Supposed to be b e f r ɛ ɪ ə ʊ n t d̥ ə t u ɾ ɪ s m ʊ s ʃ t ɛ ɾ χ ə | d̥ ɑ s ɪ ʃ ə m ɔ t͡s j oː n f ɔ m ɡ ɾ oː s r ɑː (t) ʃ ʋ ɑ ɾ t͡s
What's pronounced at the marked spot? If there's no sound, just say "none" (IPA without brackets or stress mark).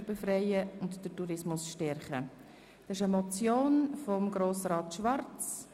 t